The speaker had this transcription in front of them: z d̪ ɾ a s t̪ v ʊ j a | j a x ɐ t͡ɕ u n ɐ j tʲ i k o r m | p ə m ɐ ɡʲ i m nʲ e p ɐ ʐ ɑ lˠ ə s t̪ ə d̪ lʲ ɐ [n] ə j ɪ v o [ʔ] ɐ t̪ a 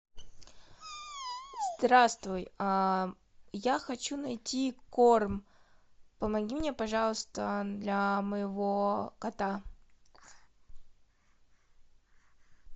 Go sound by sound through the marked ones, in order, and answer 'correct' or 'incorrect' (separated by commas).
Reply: incorrect, incorrect